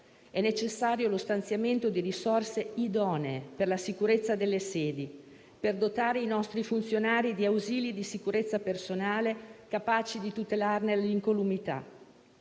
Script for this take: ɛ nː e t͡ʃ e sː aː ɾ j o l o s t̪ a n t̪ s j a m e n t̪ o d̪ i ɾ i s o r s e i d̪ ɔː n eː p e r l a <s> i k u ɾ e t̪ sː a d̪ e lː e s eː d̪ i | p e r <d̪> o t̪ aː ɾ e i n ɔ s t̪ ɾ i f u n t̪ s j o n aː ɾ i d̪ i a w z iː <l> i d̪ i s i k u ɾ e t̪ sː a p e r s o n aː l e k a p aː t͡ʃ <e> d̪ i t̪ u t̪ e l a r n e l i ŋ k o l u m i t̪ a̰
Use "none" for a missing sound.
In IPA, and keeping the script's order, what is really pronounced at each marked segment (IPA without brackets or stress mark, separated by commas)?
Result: s, d̪, l, i